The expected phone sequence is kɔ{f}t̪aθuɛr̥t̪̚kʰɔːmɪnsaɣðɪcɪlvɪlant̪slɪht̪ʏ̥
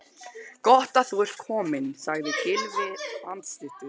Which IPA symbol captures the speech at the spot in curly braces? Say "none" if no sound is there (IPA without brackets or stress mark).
h